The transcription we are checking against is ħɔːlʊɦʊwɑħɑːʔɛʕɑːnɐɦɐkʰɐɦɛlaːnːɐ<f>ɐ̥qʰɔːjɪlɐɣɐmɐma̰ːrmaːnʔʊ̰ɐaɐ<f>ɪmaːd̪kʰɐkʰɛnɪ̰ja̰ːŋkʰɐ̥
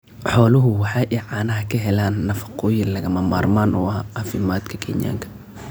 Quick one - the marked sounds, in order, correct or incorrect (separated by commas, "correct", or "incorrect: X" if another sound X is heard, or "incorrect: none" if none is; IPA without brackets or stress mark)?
correct, correct